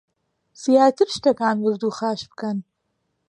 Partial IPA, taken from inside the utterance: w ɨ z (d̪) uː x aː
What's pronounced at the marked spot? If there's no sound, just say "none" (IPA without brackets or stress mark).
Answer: d̪